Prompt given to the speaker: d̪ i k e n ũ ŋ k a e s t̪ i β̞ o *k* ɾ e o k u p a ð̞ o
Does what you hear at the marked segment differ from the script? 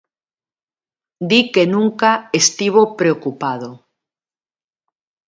yes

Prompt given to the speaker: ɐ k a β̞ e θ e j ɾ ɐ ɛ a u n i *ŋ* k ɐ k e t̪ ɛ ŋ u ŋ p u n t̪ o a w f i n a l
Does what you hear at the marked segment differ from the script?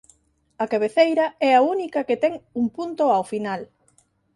yes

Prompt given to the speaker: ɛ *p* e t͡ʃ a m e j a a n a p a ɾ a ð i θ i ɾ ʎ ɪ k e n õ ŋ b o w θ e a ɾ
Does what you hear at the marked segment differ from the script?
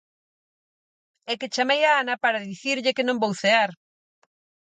yes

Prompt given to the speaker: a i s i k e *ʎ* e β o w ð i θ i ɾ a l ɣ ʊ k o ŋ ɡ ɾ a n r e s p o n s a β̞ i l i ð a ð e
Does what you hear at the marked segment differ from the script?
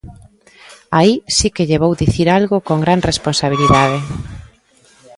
no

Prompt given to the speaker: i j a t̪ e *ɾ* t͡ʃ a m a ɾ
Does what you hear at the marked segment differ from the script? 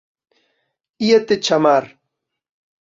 yes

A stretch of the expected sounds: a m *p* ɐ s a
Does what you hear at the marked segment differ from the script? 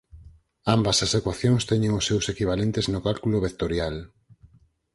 yes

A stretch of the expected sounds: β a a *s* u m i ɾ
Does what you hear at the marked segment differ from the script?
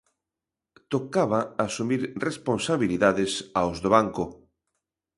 no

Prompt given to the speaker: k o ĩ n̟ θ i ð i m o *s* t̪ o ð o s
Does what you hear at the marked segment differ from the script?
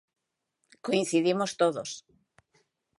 no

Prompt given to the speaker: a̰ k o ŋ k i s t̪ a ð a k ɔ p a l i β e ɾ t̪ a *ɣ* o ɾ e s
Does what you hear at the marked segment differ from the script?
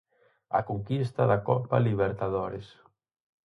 yes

